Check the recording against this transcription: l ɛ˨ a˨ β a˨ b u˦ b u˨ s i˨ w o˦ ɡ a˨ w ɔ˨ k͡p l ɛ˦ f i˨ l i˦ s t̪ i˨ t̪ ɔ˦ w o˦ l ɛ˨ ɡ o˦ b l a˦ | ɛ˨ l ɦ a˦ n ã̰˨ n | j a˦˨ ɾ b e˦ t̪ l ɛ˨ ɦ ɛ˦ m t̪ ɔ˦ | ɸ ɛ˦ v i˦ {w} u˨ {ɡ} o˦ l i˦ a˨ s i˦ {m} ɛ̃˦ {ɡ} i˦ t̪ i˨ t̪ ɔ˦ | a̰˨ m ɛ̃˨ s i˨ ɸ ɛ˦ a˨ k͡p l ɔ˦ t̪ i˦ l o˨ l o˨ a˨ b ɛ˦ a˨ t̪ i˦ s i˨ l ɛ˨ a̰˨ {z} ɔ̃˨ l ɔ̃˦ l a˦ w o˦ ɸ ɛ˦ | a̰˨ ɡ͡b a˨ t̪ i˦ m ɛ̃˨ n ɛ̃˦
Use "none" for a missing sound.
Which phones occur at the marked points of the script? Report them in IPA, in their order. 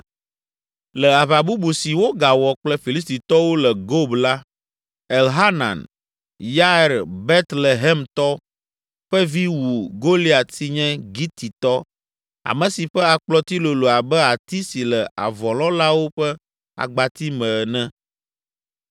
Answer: w, ɡ, ɲ, ɡ, v

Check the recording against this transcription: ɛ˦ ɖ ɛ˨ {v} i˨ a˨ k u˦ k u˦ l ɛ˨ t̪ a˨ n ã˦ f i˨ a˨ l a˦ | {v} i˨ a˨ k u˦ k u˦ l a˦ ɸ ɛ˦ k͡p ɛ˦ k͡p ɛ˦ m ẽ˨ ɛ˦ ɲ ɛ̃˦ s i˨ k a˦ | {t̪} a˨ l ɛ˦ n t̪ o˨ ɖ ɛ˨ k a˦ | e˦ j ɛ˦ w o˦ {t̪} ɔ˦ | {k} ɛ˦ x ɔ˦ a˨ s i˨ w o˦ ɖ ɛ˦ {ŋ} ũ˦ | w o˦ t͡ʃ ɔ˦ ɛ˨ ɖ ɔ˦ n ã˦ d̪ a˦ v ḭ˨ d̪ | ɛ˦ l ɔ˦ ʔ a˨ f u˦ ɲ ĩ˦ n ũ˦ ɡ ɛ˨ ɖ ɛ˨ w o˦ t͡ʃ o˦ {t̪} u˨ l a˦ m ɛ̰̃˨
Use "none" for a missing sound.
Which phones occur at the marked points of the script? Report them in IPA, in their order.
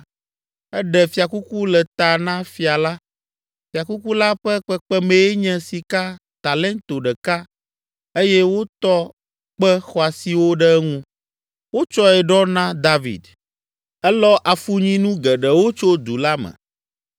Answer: f, f, t̪, t̪, k͡p, ŋ, d̪

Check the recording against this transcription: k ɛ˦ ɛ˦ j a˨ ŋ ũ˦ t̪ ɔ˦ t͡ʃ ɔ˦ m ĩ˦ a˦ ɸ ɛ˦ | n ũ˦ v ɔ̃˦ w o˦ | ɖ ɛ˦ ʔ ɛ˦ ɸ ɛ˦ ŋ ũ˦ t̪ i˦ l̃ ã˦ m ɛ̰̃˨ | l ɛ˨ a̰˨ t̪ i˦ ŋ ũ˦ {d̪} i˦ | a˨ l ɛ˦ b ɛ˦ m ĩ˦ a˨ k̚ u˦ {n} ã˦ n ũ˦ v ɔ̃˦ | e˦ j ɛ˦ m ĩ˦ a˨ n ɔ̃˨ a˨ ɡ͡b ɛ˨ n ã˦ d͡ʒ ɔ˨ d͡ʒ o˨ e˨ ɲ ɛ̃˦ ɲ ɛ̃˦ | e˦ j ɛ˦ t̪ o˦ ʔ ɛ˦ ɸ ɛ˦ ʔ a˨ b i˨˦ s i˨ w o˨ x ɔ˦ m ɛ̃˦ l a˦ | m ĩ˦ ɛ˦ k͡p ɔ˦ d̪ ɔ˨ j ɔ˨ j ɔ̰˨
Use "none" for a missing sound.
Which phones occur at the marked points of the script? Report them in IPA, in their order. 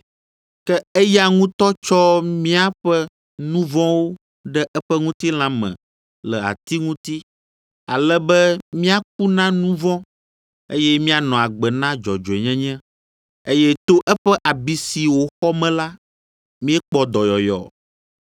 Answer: t̪, n

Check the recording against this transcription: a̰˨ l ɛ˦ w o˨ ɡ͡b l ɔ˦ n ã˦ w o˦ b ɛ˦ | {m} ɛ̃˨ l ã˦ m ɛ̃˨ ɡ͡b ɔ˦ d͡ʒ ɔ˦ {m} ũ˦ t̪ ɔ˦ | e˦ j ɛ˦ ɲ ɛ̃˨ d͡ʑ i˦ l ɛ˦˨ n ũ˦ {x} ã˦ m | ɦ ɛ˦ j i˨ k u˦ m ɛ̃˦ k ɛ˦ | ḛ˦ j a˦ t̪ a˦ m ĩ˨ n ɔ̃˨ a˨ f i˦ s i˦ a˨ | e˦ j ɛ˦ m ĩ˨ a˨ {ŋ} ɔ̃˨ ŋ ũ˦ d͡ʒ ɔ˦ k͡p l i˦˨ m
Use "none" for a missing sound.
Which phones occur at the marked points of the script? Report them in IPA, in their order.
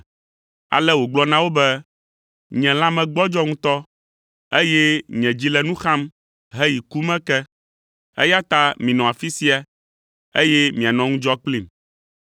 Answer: ɲ, ŋ, x, n

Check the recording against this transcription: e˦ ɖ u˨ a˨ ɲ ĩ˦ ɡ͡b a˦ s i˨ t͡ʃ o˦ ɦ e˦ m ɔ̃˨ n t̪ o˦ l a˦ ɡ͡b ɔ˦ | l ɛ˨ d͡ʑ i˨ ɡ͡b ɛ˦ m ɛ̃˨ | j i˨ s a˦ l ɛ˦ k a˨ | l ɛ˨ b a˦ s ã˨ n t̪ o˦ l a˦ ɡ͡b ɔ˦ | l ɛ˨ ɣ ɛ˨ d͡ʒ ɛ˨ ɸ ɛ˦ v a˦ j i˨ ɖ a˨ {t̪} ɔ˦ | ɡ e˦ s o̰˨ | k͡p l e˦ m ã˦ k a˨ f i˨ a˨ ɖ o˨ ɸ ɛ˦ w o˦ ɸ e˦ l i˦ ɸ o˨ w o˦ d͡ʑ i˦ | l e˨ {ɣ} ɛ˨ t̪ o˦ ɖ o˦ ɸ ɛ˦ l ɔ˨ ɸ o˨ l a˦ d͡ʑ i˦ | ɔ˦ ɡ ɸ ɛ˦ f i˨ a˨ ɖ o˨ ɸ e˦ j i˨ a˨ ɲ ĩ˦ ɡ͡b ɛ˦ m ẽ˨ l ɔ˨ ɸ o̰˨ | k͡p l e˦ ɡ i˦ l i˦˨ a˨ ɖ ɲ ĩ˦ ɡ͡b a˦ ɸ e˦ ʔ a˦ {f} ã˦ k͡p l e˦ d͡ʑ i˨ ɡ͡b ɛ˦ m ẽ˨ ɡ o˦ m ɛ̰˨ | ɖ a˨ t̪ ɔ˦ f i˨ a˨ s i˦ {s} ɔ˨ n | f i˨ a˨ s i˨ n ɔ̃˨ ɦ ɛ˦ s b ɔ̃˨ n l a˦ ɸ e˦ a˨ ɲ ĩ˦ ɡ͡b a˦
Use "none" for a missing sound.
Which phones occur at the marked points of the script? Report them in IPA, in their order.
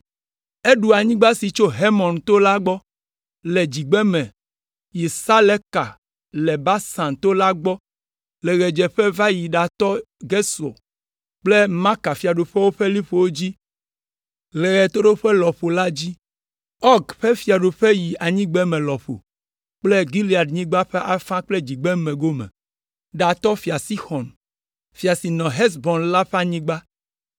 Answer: t̪, ɣ, f, x

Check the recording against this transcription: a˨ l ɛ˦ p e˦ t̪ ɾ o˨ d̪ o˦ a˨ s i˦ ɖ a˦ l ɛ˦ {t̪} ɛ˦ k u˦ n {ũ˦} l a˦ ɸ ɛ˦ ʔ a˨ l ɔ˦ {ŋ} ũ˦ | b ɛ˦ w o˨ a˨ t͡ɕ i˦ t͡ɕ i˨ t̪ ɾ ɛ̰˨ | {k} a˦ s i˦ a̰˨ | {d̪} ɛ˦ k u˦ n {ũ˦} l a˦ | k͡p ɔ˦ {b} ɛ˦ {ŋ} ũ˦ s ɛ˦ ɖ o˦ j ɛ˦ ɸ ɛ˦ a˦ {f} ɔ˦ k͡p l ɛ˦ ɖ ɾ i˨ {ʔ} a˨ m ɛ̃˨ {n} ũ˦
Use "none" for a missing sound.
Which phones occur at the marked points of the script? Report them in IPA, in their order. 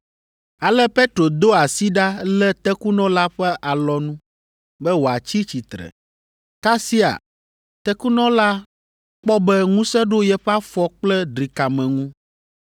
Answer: t̪, ɔ̃˦, n, k, t̪, ɔ̃˦, b, ŋ, f, k, ŋ

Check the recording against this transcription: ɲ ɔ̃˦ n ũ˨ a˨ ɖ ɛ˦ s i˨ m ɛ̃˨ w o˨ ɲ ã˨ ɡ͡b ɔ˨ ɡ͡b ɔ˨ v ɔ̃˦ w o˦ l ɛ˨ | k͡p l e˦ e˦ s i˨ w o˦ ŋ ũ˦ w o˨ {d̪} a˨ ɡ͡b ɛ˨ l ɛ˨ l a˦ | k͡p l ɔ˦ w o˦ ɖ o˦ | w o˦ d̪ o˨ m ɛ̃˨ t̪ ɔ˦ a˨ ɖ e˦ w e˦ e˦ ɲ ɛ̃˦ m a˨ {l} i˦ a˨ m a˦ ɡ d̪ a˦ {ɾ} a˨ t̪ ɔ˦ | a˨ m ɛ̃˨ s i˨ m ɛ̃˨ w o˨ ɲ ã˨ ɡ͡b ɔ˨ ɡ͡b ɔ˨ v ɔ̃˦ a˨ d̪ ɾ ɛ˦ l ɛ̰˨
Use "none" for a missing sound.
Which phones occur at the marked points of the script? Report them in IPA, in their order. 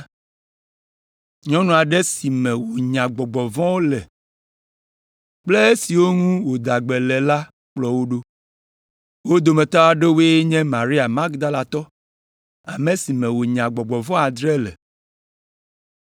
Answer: d̪, ɾ, l

